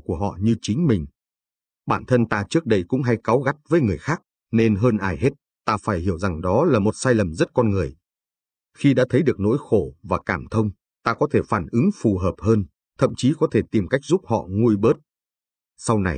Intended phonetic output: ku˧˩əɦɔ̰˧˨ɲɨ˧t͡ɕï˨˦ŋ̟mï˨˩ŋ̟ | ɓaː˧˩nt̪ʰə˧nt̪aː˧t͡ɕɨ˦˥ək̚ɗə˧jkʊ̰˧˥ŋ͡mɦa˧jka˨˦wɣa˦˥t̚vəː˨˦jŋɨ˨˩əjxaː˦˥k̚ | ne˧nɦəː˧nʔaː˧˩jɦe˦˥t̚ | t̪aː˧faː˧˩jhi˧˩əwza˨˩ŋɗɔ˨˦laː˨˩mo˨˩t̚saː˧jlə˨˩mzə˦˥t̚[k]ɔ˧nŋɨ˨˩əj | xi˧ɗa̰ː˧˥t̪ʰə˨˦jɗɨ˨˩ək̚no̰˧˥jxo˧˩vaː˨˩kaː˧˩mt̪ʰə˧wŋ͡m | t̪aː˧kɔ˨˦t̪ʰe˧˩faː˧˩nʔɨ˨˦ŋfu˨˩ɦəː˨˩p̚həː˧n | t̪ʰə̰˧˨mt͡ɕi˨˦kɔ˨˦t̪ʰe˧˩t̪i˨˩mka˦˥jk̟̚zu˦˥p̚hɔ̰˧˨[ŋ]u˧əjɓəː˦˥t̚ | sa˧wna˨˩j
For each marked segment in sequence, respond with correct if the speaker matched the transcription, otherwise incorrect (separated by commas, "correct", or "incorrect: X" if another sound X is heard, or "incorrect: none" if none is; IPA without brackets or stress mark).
correct, correct